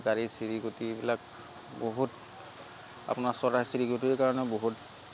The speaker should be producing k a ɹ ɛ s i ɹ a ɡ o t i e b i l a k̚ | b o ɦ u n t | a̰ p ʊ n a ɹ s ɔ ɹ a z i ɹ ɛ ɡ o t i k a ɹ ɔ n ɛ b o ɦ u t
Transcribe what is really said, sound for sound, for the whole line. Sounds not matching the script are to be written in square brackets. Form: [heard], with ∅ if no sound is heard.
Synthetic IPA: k a ɹ [i] s i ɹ [i] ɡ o t i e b i l a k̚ | b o ɦ u [∅] t | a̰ p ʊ n a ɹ s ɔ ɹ a [s] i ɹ [i] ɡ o t i k a ɹ ɔ n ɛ b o ɦ u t